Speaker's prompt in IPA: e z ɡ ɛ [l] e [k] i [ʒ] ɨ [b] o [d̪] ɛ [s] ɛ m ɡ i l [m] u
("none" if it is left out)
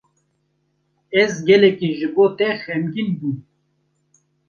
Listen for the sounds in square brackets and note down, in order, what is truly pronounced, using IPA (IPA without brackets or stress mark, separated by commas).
l, k, ʒ, b, t̪, x, b